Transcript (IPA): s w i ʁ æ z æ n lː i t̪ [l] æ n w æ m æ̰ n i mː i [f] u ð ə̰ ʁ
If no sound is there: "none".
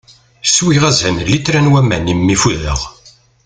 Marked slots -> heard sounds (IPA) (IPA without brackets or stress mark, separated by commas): ɾ, f